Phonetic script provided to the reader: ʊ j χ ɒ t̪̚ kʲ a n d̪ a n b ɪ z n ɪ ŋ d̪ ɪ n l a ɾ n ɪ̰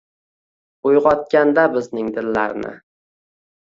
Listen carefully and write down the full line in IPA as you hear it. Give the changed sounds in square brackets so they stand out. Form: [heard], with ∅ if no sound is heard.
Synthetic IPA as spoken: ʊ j [ʁ] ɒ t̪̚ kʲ a n d̪ a [∅] b ɪ z n ɪ ŋ d̪ ɪ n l a ɾ n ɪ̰